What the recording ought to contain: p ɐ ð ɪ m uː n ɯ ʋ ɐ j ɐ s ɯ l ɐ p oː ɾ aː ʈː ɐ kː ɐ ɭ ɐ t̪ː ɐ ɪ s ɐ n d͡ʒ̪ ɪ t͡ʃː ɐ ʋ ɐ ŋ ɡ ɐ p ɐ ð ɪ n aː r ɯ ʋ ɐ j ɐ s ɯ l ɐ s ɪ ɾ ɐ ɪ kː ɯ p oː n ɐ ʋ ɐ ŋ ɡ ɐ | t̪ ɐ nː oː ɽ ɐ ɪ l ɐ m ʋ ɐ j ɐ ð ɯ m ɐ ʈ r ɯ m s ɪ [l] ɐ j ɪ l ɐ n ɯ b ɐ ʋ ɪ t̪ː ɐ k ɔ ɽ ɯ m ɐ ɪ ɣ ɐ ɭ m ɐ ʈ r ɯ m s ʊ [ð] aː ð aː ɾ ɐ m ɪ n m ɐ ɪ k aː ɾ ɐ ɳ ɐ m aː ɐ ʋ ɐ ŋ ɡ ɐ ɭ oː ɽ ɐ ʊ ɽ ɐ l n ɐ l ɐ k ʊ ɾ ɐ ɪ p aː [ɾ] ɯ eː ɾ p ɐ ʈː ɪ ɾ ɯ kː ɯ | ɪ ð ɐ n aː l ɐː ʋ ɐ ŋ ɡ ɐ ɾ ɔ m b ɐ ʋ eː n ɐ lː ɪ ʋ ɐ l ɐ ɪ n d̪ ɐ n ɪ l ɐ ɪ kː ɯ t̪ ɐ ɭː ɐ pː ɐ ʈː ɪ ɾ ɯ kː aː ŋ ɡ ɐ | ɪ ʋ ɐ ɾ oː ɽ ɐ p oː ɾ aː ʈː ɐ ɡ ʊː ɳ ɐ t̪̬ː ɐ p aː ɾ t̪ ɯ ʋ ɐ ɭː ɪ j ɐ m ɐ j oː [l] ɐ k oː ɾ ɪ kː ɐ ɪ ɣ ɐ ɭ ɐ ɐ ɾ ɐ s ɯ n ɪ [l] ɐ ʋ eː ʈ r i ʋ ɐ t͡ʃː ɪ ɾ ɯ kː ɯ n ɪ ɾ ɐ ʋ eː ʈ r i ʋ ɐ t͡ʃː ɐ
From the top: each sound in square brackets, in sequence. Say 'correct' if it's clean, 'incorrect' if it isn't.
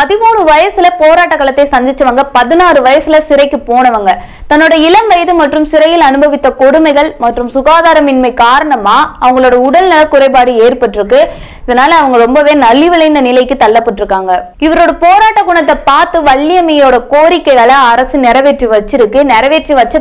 incorrect: ɾ, incorrect: ɣ, incorrect: ɽ, incorrect: ɽ, incorrect: ɾ

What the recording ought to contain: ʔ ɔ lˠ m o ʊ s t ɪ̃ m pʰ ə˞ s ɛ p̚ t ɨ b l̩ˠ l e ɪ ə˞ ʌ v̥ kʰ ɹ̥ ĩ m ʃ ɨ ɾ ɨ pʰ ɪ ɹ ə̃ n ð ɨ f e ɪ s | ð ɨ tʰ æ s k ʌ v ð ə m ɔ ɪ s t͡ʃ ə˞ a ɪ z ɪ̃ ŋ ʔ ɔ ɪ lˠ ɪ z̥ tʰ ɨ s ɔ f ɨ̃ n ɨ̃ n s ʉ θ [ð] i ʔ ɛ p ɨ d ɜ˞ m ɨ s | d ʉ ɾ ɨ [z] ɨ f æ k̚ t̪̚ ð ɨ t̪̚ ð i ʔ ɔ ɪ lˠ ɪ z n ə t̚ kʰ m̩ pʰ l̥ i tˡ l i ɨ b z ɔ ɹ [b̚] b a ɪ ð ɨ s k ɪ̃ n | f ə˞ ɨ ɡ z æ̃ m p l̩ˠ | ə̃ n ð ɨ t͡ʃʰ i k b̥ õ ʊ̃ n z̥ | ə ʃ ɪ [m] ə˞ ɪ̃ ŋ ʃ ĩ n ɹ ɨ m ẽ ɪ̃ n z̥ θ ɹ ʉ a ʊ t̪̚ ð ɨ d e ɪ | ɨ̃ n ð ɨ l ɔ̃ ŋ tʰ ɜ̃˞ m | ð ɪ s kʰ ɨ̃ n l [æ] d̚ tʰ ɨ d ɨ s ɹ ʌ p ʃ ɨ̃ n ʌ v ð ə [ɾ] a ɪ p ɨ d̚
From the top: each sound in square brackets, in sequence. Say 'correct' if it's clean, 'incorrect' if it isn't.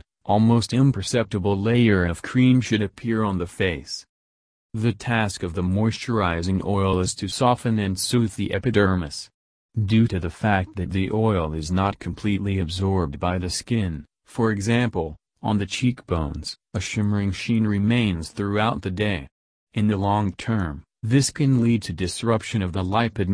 correct, incorrect: ð, correct, correct, incorrect: i, incorrect: l

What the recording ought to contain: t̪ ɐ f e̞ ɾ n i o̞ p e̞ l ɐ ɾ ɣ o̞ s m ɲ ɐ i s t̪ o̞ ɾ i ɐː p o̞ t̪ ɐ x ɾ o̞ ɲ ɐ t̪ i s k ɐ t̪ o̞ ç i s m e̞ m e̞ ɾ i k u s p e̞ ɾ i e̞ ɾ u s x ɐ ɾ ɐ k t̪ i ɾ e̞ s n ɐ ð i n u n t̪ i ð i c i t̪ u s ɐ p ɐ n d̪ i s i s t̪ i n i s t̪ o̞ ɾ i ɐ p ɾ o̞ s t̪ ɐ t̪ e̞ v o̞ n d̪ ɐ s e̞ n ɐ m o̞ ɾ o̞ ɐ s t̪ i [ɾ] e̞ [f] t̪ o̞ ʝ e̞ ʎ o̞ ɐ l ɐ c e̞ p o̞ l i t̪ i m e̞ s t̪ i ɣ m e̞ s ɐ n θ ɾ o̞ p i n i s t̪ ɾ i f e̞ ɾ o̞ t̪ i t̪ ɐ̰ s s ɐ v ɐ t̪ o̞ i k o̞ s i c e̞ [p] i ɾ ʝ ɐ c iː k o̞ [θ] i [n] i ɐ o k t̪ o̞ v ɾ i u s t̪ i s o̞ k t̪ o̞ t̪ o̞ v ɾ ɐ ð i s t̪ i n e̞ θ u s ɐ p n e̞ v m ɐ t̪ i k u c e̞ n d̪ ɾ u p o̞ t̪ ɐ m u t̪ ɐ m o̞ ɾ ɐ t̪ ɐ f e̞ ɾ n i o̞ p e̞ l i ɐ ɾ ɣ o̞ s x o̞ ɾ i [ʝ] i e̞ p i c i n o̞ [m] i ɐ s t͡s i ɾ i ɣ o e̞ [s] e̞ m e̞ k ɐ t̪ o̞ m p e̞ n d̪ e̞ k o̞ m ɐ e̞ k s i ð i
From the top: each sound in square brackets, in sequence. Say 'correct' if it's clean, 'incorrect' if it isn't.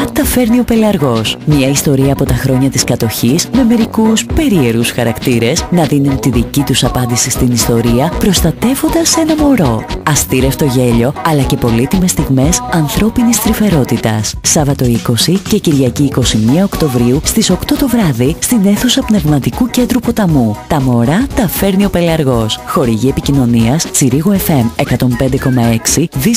correct, correct, incorrect: c, incorrect: s, incorrect: m, correct, incorrect: n, incorrect: f

